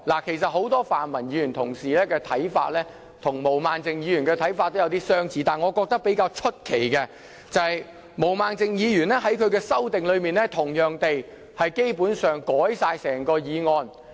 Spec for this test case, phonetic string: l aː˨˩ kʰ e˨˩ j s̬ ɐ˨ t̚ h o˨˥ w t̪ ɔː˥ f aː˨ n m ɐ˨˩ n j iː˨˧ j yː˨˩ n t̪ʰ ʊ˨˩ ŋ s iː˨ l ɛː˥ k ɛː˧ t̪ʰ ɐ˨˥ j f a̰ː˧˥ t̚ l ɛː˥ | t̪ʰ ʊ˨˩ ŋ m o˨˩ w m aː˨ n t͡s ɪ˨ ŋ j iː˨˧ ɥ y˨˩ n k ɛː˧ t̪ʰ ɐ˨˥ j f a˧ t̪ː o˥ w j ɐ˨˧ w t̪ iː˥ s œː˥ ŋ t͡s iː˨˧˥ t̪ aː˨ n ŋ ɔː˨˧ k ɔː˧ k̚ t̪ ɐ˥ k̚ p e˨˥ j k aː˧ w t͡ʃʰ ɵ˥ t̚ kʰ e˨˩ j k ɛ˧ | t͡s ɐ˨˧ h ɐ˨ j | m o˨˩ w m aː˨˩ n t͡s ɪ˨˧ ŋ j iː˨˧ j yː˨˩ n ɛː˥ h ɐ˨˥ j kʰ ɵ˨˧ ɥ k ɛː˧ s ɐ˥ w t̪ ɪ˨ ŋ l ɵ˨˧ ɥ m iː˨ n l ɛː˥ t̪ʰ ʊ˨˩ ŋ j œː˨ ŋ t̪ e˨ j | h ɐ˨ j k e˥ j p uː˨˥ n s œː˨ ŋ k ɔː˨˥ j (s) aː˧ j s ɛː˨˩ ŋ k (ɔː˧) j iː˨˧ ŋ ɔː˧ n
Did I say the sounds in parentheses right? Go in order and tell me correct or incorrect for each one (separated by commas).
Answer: correct, correct